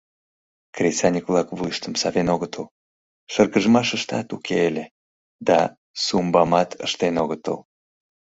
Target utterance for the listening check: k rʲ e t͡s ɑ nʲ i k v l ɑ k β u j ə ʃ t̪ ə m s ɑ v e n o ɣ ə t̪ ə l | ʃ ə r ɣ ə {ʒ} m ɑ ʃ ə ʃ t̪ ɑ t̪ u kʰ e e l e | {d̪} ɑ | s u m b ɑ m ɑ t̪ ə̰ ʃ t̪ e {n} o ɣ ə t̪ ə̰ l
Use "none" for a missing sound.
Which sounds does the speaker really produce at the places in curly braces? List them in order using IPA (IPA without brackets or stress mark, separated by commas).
ʒ, d̪, n